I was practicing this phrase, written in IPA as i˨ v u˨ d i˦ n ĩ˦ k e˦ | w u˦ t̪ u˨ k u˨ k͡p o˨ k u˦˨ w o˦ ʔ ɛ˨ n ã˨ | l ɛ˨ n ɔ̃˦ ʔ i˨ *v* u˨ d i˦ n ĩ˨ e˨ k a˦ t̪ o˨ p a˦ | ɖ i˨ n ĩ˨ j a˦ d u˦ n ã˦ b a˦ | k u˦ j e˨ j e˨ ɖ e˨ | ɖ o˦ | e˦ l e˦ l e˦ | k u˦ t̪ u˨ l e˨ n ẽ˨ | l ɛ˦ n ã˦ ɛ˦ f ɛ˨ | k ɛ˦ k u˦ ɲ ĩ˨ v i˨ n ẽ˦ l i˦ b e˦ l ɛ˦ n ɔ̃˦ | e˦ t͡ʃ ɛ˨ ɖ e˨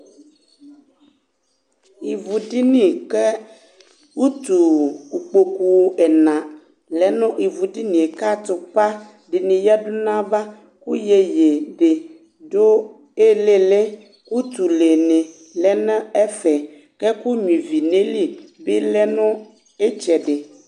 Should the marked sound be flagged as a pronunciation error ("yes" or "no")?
no